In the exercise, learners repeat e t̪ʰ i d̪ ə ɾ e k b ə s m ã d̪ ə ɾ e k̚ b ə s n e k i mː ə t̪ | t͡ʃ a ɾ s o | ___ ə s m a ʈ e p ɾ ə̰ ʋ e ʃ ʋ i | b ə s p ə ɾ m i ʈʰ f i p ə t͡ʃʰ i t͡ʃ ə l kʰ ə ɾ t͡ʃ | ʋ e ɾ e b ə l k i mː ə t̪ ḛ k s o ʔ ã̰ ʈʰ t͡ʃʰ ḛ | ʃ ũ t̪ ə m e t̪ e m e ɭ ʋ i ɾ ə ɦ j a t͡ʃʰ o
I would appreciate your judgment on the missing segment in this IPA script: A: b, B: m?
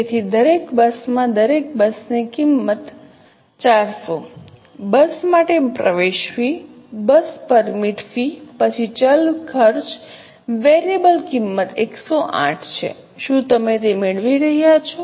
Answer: A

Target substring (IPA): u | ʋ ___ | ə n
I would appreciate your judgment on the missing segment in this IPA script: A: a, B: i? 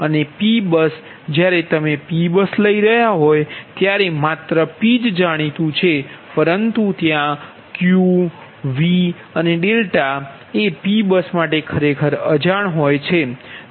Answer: B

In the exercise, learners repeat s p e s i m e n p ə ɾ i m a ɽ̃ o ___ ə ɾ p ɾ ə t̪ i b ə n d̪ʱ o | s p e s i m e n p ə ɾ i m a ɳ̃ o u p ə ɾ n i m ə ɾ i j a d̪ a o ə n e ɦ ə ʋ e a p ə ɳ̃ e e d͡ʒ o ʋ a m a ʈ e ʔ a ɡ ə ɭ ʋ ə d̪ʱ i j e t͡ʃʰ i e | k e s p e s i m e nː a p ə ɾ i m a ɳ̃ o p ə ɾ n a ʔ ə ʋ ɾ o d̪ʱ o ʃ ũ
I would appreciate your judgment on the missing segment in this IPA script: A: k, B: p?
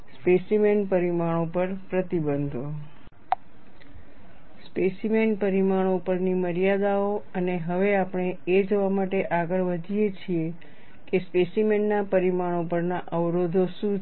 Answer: B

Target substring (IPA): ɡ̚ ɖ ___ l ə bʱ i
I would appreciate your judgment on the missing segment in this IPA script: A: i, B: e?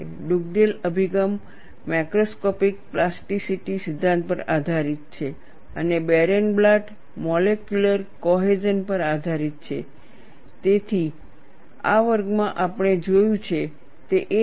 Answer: B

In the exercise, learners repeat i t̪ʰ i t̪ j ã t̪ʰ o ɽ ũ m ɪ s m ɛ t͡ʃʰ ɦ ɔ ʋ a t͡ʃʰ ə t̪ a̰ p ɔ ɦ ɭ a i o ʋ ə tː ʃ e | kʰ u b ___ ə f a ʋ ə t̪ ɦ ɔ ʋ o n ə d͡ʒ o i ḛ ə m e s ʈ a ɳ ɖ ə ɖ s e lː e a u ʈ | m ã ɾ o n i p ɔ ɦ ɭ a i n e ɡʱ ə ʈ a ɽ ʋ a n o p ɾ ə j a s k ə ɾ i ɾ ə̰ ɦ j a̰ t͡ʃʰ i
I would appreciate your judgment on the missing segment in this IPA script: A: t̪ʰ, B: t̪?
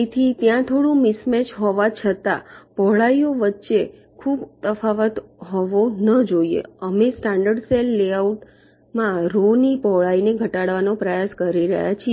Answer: B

